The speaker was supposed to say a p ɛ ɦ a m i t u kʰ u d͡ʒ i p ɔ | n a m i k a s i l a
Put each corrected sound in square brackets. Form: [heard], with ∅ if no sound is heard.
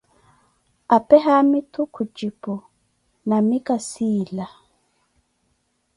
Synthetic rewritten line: a p ɛ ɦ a m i t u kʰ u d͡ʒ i p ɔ | n a m i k a s i l a